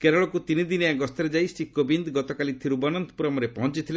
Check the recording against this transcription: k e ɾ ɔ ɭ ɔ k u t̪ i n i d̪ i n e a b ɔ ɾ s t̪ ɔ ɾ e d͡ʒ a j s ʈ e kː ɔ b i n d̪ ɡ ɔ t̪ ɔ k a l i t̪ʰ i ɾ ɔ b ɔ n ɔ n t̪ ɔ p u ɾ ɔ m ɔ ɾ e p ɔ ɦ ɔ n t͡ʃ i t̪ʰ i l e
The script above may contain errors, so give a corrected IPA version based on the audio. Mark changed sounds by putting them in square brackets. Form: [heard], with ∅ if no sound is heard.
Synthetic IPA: k e ɾ ɔ ɭ ɔ k u t̪ i n i d̪ i n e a [ɡ] ɔ [∅] s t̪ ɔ ɾ e d͡ʒ a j s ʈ [i] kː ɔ b i n d̪ ɡ ɔ t̪ ɔ k a l i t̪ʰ i ɾ [u] b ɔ n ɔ n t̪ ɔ p u ɾ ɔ m ɔ ɾ e p ɔ ɦ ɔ n t͡ʃ i t̪ʰ i l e